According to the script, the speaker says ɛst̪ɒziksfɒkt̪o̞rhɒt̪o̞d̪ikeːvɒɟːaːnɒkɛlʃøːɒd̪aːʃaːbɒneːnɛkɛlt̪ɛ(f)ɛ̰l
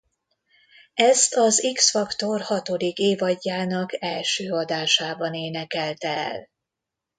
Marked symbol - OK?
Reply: no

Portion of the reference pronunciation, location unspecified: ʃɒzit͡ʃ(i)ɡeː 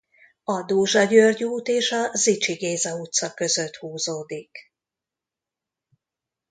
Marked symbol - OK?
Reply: yes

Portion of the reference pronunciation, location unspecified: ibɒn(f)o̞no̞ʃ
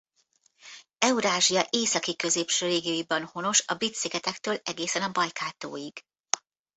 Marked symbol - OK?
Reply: no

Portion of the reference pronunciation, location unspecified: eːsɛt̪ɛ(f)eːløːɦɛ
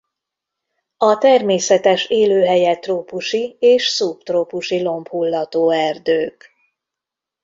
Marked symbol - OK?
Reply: no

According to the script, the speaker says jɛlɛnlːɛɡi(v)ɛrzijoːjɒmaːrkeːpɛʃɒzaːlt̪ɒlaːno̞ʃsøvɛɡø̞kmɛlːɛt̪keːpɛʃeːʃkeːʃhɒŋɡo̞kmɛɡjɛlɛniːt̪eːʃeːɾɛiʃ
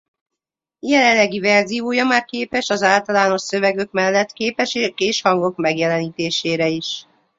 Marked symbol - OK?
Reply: yes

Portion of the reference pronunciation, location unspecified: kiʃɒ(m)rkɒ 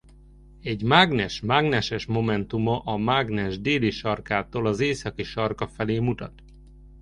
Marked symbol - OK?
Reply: no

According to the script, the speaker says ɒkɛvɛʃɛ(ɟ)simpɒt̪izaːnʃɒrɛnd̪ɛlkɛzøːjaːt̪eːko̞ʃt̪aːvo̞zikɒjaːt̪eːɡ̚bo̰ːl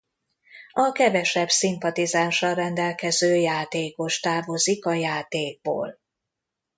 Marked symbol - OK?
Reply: no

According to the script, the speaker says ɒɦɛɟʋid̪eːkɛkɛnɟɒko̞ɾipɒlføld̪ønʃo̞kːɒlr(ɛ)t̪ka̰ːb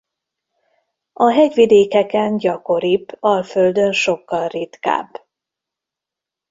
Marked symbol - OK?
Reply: no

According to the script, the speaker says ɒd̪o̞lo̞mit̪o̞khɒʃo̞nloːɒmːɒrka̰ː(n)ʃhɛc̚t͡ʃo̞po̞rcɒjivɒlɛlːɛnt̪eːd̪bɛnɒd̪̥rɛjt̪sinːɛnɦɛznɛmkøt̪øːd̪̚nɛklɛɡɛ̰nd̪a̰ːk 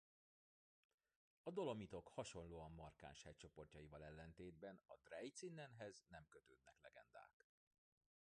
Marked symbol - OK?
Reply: yes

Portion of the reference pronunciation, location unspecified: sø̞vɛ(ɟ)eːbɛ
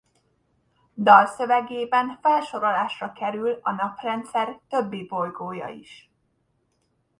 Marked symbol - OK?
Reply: no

